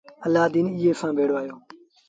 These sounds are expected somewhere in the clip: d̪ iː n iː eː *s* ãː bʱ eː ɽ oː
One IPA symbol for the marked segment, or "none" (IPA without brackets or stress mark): s